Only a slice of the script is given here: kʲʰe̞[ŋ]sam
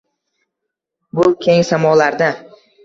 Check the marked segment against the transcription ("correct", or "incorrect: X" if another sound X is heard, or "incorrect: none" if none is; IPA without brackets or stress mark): correct